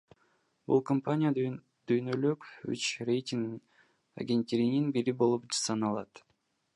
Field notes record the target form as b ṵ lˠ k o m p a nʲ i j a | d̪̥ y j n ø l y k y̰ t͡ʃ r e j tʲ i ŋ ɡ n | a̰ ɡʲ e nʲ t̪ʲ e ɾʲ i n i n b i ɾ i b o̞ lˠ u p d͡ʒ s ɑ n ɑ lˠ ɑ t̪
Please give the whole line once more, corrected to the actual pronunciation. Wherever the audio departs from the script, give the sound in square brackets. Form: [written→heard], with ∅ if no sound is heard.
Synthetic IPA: b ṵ lˠ k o m p a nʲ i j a | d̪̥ y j n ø l y k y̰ t͡ʃ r e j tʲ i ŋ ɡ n | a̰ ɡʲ e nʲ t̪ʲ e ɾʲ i n i n b i ɾ i b o̞ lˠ u p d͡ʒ s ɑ n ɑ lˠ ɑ t̪